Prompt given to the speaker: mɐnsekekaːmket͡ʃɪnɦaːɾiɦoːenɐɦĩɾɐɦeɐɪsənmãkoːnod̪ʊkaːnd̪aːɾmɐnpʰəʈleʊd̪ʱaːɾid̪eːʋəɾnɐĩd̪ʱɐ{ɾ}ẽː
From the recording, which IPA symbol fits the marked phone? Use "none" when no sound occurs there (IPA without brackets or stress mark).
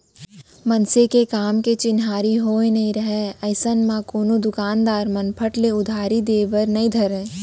ɾ